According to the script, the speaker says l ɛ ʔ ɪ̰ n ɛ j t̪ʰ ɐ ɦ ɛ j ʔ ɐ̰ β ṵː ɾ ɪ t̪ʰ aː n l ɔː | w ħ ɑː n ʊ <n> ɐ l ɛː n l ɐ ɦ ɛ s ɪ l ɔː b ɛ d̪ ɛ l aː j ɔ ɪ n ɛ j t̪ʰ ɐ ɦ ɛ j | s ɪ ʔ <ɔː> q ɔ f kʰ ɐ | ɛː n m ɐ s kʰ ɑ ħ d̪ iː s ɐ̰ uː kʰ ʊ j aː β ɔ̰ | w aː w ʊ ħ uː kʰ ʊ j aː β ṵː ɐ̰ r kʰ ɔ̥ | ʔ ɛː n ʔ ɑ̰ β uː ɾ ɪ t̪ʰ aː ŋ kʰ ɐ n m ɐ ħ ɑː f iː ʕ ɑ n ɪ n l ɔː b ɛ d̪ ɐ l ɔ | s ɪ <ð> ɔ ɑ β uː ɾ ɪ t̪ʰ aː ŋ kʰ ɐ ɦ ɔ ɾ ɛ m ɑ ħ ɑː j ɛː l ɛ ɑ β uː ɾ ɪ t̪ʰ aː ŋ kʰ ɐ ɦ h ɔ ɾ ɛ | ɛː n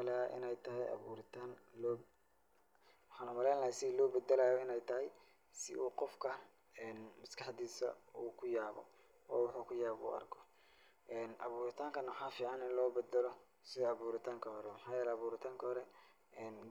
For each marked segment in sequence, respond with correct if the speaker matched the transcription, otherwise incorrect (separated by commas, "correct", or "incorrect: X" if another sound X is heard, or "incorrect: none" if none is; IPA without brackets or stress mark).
incorrect: m, incorrect: uː, correct